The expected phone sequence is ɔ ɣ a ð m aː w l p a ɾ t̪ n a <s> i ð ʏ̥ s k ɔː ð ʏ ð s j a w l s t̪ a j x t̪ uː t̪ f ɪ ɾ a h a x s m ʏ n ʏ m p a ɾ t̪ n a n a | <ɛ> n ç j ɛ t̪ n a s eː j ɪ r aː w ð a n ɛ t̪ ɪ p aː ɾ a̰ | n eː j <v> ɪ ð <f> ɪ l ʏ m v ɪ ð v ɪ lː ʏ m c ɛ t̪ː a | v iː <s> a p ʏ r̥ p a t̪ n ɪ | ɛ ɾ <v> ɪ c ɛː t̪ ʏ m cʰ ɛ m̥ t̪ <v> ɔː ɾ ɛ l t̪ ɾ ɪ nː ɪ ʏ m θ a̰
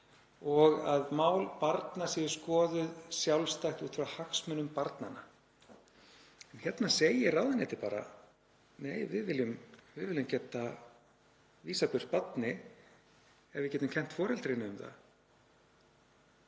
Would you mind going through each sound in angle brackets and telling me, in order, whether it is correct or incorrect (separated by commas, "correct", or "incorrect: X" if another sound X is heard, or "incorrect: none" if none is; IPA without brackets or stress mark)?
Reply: correct, correct, correct, incorrect: v, correct, correct, incorrect: f